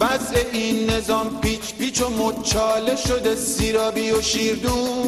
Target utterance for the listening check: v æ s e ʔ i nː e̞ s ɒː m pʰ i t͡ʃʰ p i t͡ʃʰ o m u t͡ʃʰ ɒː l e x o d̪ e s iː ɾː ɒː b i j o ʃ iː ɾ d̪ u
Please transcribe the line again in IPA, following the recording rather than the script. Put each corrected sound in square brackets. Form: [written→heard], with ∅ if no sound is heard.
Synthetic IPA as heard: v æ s e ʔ i nː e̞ [s→z] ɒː m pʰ i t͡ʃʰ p i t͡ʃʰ o m [u→o] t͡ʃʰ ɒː l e [x→ʃ] o d̪ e s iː [ɾː→ɾ] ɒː b i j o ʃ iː ɾ d̪ u